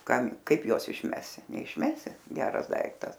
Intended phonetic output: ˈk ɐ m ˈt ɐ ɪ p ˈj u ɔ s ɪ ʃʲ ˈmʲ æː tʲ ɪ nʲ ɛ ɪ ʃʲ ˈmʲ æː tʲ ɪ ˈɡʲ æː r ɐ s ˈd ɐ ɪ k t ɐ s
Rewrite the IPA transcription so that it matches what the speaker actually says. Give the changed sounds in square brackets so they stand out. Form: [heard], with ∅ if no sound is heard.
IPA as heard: ˈk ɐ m [ˈk] ɐ ɪ p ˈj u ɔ s ɪ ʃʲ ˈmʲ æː [sʲ] ɪ nʲ ɛ ɪ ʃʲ ˈmʲ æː [sʲ] ɪ ˈɡʲ æː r ɐ s ˈd ɐ ɪ k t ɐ s